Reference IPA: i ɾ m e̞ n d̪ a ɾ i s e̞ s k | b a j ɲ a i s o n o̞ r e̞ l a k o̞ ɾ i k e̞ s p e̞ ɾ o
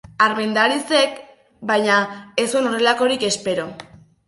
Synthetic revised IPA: a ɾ m e̞ n d̪ a ɾ i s e̞ k | b a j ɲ a e s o n o̞ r e̞ l a k o̞ ɾ i k e̞ s p e̞ ɾ o

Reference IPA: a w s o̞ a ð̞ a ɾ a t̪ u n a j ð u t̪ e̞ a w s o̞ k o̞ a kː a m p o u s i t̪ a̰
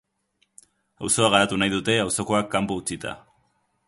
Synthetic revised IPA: a w s o̞ a ɣ̞ a ɾ a t̪ u n a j ð u t̪ e̞ a w s o̞ k o̞ a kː a m p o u t͡s i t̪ a̰

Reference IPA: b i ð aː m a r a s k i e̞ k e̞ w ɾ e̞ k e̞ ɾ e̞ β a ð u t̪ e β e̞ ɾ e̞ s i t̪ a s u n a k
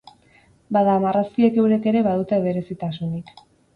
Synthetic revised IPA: b a ð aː m a r a s k i e̞ k e̞ w ɾ e̞ k e̞ ɾ e̞ β a ð u t̪ e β e̞ ɾ e̞ s i t̪ a s u n i k

